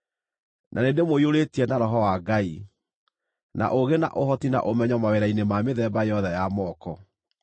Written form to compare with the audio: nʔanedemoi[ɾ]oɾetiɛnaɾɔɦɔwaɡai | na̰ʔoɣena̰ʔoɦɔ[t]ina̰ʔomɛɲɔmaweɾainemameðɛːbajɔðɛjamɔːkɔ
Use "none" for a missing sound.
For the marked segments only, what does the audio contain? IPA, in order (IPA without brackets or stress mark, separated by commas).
none, t